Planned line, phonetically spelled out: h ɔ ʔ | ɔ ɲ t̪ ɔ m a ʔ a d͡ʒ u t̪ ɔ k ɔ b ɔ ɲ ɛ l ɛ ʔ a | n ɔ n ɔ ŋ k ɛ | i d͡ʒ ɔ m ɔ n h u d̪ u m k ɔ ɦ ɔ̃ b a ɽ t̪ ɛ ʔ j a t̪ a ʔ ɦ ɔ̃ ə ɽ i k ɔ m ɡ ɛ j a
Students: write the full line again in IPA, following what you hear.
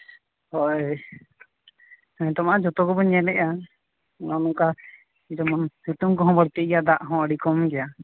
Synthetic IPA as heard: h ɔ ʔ | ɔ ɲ t̪ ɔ m a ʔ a d͡ʒ ɔ t̪ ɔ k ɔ b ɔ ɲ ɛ l ɛ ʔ a | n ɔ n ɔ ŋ k a | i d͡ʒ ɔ m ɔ n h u t̪ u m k ɔ ɦ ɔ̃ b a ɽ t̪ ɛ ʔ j a d̪ a ʔ ɦ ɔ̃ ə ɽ i k ɔ m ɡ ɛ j a